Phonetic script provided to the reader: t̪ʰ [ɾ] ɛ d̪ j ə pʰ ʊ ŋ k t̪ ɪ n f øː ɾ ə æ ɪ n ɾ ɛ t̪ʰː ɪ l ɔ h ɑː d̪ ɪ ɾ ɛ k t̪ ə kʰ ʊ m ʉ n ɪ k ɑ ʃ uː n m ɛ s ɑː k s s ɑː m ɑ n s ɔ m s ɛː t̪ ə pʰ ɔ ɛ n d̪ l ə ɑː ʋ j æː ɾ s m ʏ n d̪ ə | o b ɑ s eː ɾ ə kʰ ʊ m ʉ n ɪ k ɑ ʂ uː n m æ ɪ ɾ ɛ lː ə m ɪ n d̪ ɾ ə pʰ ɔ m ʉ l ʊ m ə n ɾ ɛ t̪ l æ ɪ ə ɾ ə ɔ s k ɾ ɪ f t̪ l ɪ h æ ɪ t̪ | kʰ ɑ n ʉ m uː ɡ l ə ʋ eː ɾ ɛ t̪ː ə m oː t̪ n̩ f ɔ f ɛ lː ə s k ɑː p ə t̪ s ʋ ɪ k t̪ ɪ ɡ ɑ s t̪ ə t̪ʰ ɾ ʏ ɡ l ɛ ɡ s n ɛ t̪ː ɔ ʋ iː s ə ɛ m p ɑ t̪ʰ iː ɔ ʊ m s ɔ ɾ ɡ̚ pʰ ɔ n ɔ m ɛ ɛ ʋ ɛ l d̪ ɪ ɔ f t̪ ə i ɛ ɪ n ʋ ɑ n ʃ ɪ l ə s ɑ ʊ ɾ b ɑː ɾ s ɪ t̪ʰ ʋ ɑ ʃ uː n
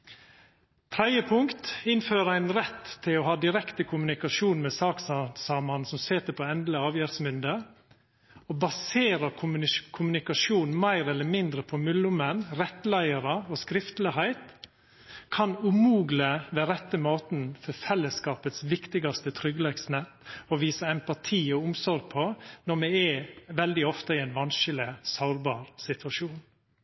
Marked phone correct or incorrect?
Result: correct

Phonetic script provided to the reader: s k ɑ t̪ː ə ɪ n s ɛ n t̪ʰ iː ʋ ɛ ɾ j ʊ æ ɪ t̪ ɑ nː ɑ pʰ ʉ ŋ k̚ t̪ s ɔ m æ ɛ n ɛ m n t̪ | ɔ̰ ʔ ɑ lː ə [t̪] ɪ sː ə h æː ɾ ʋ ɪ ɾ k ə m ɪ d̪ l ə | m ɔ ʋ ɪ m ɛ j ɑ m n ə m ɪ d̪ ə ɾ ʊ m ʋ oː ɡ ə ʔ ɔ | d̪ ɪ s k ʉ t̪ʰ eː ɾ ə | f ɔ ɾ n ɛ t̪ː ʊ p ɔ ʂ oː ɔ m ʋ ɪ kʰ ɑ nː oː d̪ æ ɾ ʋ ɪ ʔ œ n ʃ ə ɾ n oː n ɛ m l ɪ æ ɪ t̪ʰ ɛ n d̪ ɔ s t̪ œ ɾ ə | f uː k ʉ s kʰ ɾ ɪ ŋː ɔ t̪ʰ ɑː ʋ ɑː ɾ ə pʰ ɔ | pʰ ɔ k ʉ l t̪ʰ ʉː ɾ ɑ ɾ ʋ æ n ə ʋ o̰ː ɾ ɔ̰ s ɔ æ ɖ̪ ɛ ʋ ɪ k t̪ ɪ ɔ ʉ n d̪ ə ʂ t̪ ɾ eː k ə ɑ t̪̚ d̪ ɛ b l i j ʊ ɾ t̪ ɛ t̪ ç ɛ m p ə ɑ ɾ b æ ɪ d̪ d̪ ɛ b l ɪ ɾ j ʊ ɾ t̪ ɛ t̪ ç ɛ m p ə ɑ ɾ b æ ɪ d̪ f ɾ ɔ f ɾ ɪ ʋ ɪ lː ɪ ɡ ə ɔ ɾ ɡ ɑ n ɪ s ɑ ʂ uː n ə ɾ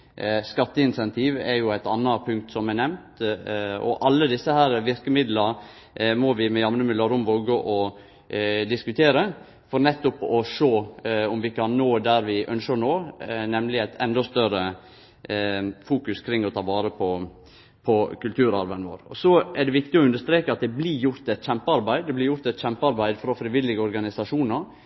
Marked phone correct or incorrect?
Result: incorrect: d̪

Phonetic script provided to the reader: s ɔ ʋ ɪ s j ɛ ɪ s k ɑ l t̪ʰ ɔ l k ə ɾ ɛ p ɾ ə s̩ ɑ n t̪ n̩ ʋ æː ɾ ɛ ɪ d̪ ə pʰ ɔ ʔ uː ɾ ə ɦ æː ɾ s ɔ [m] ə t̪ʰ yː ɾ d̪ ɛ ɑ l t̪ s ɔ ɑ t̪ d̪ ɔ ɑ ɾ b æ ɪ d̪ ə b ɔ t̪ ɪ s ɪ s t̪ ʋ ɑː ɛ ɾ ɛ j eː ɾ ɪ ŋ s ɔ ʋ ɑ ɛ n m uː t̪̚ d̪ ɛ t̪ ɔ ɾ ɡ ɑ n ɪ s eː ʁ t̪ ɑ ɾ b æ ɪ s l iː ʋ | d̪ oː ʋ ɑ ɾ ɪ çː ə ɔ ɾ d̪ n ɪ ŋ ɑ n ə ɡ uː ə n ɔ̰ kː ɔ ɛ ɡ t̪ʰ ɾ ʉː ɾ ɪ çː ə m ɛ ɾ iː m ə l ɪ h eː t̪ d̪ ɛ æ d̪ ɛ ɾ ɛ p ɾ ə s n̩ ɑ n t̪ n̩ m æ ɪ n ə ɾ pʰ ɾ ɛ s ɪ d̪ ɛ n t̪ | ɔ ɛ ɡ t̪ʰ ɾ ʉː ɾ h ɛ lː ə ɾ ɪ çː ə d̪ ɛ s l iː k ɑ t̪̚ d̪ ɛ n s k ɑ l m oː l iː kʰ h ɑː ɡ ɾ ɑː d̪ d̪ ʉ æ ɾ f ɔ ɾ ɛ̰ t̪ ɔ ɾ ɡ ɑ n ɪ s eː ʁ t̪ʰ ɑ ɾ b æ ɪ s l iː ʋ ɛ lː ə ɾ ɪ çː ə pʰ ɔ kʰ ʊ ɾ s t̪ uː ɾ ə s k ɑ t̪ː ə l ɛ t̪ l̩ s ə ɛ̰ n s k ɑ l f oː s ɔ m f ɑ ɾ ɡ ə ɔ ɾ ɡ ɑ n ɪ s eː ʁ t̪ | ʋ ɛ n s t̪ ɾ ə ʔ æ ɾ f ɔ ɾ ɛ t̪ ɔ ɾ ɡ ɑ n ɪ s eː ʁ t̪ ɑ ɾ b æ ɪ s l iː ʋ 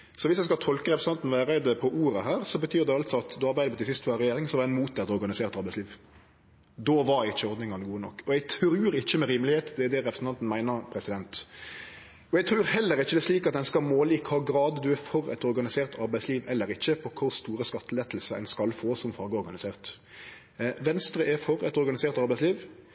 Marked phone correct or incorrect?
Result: incorrect: b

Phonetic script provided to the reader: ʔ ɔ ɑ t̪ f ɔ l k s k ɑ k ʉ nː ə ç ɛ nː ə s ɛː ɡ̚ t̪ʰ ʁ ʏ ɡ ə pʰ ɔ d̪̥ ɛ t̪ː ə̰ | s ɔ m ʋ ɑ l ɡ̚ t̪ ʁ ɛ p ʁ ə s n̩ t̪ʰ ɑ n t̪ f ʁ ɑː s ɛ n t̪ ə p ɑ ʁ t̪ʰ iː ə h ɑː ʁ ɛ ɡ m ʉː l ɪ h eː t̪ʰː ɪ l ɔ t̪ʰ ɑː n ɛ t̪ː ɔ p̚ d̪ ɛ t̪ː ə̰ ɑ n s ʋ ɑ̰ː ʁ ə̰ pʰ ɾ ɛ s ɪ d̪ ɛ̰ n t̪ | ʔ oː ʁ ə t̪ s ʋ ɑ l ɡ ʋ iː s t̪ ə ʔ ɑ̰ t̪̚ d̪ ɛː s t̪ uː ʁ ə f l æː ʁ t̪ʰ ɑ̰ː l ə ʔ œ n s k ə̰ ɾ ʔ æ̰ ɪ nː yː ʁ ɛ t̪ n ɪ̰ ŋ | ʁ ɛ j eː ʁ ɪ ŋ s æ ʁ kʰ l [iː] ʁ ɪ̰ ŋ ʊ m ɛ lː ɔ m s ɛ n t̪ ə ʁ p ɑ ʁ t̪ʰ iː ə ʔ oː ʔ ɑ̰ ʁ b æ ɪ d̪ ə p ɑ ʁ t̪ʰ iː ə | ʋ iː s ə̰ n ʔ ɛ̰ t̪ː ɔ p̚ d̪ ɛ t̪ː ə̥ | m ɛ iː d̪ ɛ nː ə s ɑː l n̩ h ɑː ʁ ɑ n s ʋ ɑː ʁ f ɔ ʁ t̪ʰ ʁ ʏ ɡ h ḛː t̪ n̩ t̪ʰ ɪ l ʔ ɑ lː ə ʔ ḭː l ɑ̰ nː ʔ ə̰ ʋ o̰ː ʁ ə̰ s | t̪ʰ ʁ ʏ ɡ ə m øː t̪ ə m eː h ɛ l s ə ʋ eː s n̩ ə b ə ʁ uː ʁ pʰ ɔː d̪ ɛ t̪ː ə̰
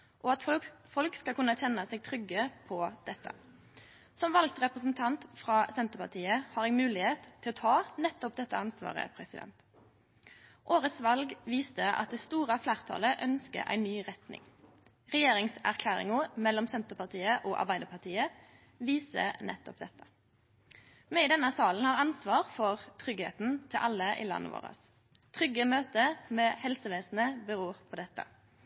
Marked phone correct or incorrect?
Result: incorrect: æː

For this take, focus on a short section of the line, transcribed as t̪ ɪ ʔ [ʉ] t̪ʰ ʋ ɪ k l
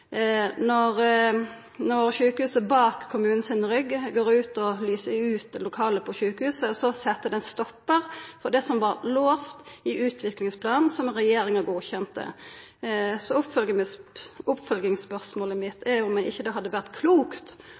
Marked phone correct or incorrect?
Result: incorrect: ʉː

